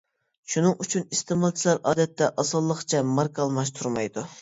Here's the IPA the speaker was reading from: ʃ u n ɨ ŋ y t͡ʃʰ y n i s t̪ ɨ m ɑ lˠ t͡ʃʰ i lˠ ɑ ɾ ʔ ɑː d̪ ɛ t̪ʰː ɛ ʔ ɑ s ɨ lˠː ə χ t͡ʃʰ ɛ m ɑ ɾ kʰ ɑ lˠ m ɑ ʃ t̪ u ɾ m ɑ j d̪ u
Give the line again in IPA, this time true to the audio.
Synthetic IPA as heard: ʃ u n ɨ ŋ y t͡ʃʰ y n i s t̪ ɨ m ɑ lˠ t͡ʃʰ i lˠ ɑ ɾ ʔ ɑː d̪ ɛ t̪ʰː ɛ ʔ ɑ s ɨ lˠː ə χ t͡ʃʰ ɛ m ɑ ɾ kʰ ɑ lˠ m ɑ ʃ t̪ʰ u ɾ m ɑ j d̪ u

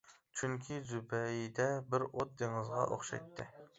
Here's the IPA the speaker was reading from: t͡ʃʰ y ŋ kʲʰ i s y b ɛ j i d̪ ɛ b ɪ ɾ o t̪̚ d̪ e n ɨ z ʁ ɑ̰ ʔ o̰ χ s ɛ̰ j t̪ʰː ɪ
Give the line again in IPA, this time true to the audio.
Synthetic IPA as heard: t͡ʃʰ y ŋ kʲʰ i z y b ɛ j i d̪ ɛ b ɪ ɾ o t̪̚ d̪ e ŋ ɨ z ʁ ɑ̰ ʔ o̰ χ ʃ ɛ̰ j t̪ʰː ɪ

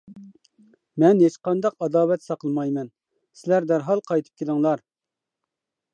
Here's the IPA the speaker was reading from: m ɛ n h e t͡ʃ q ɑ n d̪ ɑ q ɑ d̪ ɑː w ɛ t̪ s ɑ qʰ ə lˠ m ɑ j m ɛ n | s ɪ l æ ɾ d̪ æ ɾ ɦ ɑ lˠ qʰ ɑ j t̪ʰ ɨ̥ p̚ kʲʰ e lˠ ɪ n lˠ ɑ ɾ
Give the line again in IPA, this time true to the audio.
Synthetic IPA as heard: m ɛ n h e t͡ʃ q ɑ n d̪ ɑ q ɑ d̪ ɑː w ɛ t̪ s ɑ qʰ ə lˠ m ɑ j m ɛ n | s ɪ l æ ɾ d̪ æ ɾ ɦ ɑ lˠ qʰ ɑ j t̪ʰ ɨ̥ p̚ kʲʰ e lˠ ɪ ŋ lˠ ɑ ɾ

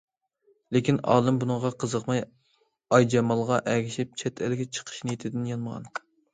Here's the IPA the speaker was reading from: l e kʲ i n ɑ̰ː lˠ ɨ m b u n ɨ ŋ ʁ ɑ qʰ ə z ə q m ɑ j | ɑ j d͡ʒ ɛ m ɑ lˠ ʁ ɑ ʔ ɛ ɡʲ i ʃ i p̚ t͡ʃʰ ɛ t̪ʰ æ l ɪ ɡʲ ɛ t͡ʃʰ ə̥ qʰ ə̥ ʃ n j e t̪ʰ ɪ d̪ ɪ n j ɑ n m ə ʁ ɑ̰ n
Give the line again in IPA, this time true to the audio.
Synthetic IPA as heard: l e kʲ i n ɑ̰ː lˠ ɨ m b u n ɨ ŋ ʁ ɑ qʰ ə z ə q m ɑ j | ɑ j d͡ʒ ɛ m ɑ lˠ ʁ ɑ ʔ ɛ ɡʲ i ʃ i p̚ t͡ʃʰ ɛ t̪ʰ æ l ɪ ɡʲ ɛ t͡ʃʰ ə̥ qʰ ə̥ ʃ n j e t̪ʰ ɪ d̪ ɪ n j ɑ n m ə ʁ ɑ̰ n

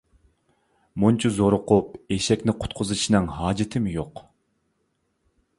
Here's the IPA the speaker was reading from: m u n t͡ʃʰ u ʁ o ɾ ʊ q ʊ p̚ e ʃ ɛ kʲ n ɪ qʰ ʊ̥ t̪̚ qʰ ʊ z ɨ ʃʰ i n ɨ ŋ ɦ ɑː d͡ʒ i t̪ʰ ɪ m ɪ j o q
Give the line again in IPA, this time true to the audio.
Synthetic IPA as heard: m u n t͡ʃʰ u z o ɾ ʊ q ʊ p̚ e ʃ ɛ kʲ n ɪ qʰ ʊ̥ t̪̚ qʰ ʊ z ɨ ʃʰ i n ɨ ŋ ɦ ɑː d͡ʒ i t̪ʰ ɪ m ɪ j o q

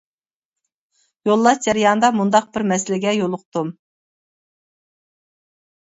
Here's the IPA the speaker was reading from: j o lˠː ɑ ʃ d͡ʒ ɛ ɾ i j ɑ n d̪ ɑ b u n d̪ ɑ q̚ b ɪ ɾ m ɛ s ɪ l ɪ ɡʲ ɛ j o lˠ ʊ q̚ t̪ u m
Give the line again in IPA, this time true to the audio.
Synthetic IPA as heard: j o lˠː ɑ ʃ d͡ʒ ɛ ɾ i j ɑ n d̪ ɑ m u n d̪ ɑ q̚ b ɪ ɾ m ɛ s ɪ l ɪ ɡʲ ɛ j o lˠ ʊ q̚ t̪ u m

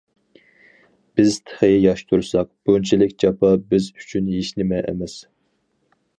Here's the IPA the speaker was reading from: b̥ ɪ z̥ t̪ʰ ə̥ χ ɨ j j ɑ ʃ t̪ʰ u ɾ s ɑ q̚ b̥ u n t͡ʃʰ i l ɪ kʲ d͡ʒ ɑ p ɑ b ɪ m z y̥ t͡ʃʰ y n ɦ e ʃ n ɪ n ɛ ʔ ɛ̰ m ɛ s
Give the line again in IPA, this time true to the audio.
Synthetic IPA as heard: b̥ ɪ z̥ t̪ʰ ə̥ χ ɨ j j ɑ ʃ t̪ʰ u ɾ s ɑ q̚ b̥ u n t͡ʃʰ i l ɪ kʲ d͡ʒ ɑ p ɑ b ɪ z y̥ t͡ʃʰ y n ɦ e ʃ n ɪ m ɛ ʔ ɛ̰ m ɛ s

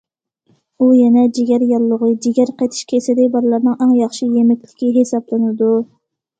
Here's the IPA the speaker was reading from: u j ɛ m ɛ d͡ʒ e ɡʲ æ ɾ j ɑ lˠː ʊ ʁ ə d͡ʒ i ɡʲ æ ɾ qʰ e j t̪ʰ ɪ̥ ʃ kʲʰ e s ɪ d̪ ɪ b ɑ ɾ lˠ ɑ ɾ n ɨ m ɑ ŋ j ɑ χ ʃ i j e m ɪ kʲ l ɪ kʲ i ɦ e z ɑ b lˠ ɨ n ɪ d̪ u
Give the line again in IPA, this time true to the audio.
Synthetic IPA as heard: u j ɛ n ɛ d͡ʒ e ɡʲ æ ɾ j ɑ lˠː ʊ ʁ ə d͡ʒ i ɡʲ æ ɾ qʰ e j t̪ʰ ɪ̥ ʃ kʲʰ e s ɪ d̪ ɪ b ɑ ɾ lˠ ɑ ɾ n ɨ ŋ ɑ ŋ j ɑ χ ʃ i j e m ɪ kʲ l ɪ kʲ i ɦ e s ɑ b lˠ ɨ n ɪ d̪ u

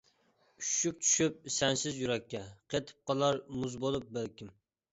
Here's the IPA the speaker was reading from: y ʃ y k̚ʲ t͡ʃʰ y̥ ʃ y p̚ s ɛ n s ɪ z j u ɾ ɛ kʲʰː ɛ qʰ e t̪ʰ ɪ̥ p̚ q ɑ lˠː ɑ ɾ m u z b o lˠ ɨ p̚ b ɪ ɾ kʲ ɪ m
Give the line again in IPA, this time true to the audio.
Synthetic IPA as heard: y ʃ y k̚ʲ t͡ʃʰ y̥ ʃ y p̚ s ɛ n s ɪ z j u ɾ ɛ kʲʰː ɛ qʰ e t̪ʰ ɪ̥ p̚ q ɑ lˠ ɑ ɾ m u z b o lˠ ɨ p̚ b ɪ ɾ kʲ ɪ m

